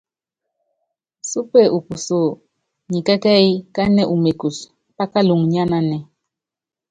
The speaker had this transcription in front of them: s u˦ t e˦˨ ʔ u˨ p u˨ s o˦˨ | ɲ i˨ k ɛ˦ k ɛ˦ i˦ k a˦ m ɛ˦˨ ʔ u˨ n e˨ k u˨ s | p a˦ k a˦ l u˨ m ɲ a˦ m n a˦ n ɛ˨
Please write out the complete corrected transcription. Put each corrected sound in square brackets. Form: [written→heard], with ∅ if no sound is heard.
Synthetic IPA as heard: s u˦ [t→p] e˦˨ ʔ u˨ p u˨ s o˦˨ | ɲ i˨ k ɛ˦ k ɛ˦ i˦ k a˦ [m→n] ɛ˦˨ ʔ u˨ [n→m] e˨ k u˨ s | p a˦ k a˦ l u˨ [m→ŋ] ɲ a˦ [m→∅] n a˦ n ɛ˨